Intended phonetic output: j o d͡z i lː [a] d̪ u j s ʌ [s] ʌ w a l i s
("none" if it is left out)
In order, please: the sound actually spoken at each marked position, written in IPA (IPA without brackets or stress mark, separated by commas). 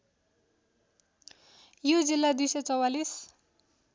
a, t͡s